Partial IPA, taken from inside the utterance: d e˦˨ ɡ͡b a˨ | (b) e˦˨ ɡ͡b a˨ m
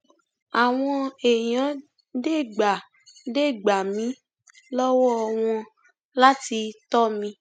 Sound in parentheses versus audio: incorrect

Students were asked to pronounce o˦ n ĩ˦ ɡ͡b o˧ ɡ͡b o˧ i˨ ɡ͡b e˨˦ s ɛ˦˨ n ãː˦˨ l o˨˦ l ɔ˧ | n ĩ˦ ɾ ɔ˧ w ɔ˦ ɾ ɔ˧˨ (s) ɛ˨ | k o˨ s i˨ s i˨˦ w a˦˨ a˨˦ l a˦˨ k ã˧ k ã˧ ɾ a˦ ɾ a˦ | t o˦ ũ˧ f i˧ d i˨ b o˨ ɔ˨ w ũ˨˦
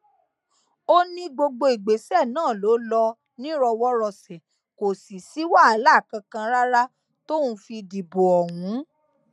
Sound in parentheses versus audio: correct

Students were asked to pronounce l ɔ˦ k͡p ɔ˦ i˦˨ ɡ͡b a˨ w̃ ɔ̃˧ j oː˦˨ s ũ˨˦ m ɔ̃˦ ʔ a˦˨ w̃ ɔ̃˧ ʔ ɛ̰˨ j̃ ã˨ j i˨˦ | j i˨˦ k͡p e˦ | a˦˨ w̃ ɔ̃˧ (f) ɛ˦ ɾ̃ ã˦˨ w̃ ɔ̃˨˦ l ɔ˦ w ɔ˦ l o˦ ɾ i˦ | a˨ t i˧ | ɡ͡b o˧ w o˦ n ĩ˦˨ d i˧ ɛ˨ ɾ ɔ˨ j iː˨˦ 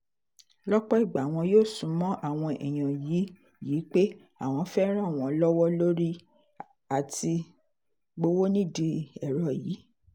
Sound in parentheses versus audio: correct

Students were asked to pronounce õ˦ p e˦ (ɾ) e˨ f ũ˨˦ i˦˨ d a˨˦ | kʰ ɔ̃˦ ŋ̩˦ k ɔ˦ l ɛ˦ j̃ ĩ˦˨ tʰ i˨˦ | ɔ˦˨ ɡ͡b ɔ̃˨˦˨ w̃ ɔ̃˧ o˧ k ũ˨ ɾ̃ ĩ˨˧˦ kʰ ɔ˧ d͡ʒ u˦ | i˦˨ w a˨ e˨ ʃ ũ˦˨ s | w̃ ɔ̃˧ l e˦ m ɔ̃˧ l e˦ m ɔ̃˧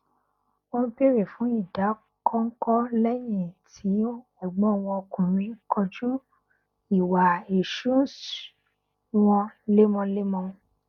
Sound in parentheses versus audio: correct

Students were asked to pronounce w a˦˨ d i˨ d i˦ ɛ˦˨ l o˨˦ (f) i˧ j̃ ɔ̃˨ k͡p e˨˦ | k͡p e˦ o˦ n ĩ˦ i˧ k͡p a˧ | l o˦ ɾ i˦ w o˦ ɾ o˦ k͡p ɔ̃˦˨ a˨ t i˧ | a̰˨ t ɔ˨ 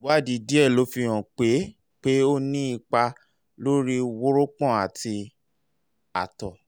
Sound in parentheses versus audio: correct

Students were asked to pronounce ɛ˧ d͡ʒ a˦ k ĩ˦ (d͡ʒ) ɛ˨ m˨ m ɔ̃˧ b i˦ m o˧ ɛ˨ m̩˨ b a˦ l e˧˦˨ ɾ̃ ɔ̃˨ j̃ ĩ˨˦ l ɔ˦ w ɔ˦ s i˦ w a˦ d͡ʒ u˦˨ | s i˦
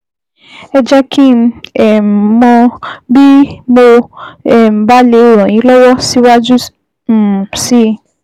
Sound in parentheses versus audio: incorrect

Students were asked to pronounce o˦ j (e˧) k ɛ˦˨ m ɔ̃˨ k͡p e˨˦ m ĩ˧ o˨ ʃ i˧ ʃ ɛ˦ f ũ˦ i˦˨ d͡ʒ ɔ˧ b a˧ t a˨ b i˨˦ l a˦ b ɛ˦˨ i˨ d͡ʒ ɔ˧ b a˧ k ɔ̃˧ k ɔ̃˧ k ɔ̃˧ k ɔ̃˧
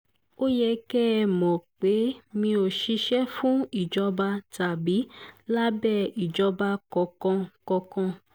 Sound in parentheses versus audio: incorrect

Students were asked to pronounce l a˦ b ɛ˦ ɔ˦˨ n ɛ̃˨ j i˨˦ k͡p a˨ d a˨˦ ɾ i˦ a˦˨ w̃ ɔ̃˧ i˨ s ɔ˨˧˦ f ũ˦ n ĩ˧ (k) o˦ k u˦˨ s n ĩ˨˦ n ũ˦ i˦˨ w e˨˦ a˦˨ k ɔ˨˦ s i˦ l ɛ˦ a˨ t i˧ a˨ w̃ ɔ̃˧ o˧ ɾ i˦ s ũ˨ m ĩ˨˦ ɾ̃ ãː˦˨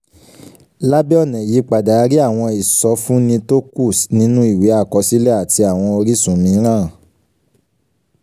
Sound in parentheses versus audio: incorrect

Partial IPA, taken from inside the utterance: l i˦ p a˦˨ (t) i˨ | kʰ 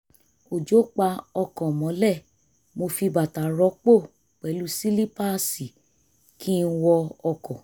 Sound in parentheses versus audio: incorrect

